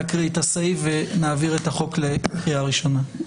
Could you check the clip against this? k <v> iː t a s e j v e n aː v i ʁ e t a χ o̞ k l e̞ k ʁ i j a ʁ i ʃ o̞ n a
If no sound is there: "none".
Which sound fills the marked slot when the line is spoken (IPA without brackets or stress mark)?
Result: ʁ